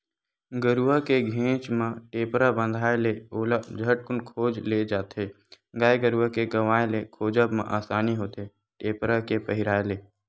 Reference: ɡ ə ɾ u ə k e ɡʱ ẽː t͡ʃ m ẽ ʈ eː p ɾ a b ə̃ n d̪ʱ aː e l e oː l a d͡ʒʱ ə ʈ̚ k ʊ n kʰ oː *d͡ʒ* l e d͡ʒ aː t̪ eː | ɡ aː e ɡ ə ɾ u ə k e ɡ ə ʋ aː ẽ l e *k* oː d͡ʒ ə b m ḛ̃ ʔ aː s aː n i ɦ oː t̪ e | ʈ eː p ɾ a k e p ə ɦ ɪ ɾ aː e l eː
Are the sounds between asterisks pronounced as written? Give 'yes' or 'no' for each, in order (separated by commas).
yes, no